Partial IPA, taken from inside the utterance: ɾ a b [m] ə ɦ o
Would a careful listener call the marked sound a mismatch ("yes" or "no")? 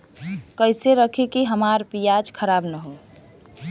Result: yes